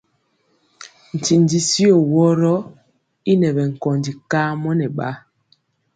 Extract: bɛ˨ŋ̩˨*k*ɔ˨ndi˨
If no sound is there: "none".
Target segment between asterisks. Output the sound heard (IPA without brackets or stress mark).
k